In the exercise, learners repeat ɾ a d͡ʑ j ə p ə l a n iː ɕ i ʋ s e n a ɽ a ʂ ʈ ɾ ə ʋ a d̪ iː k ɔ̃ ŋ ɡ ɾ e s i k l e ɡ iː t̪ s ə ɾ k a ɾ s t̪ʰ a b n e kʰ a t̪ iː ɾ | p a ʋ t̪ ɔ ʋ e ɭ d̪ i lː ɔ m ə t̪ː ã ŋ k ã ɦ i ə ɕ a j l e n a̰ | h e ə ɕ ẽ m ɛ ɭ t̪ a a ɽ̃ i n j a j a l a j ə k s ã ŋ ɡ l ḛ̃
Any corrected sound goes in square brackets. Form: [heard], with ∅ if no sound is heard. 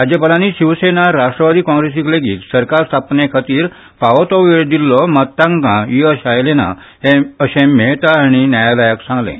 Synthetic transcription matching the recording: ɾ a d͡ʑ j ə p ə l a n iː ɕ i ʋ s e n a [ɾ] a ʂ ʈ ɾ ə ʋ a d̪ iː k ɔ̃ ŋ ɡ ɾ e s i k l e ɡ iː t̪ s ə ɾ k a ɾ s t̪ʰ a [p] n e kʰ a t̪ iː ɾ | p a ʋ t̪ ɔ ʋ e ɭ d̪ i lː ɔ m ə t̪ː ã ŋ k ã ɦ i ə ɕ a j l e n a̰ | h e ə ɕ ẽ m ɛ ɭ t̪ a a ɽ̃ i n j a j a l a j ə k s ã ŋ ɡ l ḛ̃